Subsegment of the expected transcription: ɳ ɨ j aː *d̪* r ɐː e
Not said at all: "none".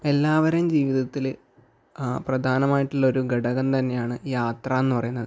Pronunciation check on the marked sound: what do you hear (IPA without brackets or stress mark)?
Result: t̪